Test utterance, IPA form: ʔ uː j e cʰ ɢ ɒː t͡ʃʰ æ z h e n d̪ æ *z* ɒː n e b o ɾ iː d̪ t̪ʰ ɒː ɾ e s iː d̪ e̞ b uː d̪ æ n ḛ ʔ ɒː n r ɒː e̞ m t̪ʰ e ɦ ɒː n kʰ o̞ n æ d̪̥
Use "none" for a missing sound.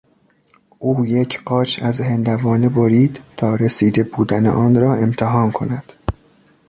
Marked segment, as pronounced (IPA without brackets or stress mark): v